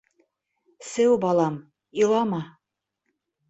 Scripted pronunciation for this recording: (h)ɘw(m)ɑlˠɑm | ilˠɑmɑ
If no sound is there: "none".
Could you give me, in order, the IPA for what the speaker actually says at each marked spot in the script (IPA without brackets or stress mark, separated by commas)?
s, b